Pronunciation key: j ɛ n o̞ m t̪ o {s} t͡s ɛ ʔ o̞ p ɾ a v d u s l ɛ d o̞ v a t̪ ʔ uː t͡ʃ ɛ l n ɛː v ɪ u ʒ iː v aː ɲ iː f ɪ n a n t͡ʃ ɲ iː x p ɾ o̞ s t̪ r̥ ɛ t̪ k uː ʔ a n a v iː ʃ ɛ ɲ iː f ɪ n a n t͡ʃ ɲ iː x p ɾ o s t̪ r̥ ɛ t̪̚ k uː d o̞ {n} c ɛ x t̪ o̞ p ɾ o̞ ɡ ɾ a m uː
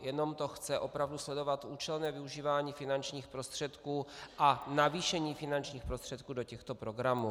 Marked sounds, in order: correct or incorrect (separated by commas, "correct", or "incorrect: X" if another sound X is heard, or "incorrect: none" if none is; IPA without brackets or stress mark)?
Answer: incorrect: x, incorrect: none